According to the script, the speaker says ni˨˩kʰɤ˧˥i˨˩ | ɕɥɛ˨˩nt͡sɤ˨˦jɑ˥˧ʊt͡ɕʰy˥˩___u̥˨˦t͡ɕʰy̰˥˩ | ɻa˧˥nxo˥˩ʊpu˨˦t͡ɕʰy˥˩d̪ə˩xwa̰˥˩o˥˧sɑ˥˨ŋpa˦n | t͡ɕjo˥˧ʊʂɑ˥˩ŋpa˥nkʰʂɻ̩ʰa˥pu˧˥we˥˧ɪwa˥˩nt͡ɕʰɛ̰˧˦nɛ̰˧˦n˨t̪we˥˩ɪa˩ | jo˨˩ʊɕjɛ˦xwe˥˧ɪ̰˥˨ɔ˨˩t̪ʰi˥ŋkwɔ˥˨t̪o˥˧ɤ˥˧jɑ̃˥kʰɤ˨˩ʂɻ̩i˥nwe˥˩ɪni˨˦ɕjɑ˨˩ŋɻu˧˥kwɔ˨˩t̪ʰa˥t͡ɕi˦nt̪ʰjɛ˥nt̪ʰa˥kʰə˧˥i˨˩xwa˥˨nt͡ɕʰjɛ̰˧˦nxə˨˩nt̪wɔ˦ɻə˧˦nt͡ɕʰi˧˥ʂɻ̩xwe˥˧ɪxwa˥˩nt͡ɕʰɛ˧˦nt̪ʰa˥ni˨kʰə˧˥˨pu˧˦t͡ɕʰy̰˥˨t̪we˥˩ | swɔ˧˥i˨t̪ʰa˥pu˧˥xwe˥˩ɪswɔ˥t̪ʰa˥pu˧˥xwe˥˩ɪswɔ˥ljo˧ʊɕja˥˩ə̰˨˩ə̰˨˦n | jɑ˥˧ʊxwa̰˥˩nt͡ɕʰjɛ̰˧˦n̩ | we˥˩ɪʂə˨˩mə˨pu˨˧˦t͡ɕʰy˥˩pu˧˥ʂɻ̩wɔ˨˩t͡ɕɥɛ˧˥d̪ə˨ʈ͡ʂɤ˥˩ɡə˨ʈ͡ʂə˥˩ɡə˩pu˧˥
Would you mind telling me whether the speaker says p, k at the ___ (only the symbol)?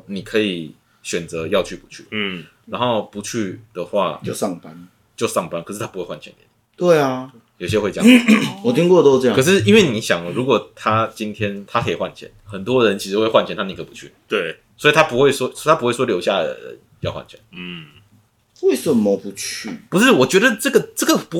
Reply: p